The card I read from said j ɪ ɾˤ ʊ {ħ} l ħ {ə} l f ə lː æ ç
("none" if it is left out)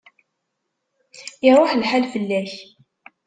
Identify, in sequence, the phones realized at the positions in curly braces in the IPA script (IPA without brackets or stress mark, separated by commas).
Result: ħ, a